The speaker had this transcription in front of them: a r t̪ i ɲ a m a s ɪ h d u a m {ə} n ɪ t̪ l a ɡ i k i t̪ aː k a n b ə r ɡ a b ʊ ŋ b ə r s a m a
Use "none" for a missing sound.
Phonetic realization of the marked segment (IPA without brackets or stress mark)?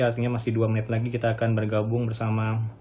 ə